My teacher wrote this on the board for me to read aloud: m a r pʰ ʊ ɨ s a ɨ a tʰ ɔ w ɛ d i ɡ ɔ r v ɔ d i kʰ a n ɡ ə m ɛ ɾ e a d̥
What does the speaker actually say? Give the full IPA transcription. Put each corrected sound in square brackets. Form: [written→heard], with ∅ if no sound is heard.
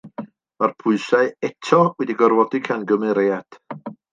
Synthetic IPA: m a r pʰ ʊ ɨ s a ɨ [a→ɛ] tʰ ɔ w ɛ d i ɡ ɔ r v ɔ d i kʰ a n ɡ ə m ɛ ɾ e a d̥